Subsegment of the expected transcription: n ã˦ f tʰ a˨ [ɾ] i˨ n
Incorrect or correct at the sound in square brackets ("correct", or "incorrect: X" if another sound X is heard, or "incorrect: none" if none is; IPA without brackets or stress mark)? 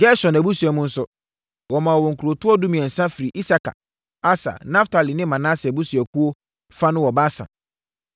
incorrect: l